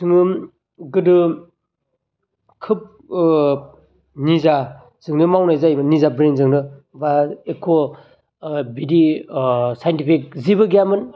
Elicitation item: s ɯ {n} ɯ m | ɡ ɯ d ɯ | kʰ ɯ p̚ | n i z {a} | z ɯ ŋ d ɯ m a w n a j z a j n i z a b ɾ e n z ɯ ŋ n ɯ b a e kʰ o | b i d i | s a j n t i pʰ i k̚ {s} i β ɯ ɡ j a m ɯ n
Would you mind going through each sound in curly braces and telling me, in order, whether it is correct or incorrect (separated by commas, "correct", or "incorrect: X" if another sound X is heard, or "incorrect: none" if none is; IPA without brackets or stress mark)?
incorrect: ŋ, correct, incorrect: z